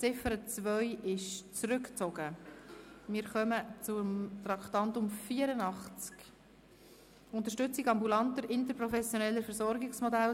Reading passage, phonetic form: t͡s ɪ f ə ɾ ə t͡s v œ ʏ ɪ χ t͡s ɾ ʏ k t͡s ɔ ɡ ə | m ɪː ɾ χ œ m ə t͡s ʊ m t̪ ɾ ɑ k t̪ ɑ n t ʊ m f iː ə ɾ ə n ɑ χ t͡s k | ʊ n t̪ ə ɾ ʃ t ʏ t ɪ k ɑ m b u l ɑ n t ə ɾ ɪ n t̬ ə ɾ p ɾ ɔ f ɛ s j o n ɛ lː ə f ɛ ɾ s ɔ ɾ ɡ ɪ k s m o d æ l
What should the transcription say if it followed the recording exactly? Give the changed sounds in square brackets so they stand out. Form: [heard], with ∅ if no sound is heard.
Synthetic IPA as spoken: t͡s ɪ f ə ɾ ə t͡s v œ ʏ ɪ [ʃ] t͡s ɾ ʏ k t͡s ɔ ɡ ə | m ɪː ɾ χ œ m ə t͡s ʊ m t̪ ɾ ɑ k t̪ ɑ n t ʊ m f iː ə ɾ ə n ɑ χ t͡s k | ʊ n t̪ ə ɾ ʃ t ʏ [t͡s] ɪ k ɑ m b u l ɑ n t ə ɾ ɪ n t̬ ə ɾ p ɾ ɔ f ɛ s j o n ɛ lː ə f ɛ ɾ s ɔ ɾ ɡ ɪ k s m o d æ l